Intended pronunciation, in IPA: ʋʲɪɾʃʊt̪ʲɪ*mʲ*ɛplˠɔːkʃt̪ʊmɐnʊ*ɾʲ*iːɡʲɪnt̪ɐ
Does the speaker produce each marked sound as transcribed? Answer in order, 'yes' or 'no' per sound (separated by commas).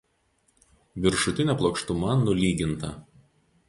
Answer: no, no